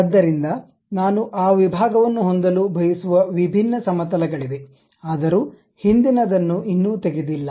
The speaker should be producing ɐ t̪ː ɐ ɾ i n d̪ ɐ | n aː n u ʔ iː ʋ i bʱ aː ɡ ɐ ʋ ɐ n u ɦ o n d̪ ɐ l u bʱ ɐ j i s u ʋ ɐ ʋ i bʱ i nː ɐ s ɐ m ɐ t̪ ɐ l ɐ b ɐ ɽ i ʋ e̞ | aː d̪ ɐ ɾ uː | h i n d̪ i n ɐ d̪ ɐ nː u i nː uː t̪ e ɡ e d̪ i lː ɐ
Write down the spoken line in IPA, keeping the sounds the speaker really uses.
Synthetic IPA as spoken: ɐ d̪ː ɐ ɾ i n d̪ ɐ | n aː n u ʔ aː ʋ i bʱ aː ɡ ɐ ʋ ɐ nː u ɦ o n d̪ ɐ l u bʱ ɐ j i s u ʋ ɐ ʋ i bʱ i nː ɐ s ɐ m ɐ t̪ ɐ l ɐ ɡ ɐ ɭ i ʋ e̞ | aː d̪ ɐ ɾ uː | h i n d̪ i n ɐ d̪ ɐ nː u i nː uː t̪ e ɡ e d̪ i lː ɐ